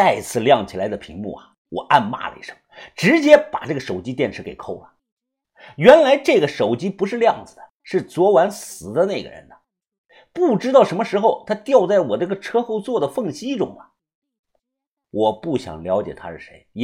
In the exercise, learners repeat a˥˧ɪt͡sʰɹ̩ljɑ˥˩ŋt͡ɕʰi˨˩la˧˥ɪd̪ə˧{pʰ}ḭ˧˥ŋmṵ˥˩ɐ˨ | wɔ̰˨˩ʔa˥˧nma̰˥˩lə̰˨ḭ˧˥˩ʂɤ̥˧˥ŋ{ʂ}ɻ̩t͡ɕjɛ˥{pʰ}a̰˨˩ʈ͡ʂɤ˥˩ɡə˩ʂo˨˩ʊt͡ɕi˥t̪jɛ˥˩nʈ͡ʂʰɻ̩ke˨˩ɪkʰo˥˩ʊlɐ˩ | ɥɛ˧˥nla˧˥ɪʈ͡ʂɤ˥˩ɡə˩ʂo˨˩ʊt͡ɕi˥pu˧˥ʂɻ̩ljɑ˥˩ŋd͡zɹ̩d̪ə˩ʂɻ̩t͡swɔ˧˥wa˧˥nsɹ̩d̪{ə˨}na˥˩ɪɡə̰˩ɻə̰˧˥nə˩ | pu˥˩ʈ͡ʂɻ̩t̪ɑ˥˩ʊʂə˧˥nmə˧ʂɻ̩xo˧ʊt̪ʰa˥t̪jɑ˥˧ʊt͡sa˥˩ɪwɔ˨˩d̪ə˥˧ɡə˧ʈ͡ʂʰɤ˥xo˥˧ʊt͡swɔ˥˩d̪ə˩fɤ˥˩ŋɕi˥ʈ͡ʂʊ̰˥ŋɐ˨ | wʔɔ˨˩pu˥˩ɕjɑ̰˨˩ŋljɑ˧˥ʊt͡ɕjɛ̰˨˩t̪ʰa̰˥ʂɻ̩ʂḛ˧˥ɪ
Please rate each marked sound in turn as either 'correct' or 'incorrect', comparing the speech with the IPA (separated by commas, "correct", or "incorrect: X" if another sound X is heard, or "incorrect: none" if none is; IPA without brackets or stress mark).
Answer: correct, incorrect: ʈ͡ʂ, incorrect: p, incorrect: ə˦